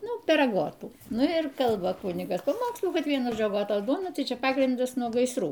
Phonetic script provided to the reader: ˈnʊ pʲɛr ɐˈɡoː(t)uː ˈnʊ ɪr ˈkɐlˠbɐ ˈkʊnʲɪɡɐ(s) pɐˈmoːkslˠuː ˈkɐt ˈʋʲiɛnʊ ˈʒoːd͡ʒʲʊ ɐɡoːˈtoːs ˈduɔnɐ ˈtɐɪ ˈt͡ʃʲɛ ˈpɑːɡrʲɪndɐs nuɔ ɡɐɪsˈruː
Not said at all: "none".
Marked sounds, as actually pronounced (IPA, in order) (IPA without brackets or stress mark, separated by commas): t, s